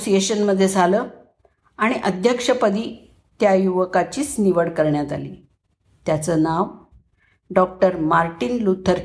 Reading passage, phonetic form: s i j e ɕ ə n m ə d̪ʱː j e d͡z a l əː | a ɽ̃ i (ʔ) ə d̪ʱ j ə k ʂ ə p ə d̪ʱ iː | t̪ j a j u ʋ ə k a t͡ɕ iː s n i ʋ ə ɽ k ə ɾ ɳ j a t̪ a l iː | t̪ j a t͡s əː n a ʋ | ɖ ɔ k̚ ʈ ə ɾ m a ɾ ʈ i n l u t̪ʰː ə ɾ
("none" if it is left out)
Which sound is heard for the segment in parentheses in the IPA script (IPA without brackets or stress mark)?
ʔ